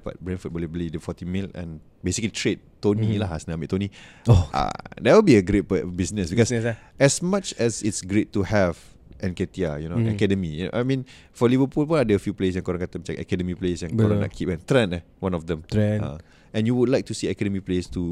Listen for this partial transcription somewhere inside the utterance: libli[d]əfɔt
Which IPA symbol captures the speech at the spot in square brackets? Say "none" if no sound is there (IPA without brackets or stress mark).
d